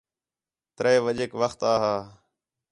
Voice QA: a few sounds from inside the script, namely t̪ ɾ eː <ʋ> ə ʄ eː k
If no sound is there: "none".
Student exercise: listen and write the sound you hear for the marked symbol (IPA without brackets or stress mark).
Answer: ʋ